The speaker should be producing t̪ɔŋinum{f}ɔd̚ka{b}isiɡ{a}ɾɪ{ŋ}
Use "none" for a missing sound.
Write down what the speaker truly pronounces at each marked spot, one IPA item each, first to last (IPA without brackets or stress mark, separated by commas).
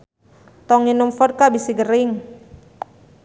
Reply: f, b, ə, ŋ